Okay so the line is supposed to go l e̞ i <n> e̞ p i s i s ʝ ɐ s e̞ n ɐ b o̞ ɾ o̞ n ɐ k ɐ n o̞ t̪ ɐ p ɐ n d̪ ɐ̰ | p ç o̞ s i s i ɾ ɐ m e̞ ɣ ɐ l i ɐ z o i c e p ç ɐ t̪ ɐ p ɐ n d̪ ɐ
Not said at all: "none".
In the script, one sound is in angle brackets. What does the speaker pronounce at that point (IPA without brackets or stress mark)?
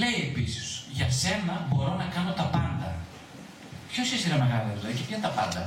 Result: none